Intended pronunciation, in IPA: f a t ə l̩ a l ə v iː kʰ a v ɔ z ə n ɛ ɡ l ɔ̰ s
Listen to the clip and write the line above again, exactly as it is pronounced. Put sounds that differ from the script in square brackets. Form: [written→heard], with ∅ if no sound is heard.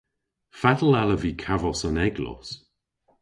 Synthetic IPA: f a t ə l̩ a l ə v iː kʰ a v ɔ [z→s] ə n ɛ ɡ l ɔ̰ s